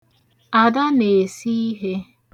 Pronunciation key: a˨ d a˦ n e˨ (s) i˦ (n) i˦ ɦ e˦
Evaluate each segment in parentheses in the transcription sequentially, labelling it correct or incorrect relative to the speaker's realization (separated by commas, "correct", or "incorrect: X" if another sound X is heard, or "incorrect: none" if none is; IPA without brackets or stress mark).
correct, incorrect: none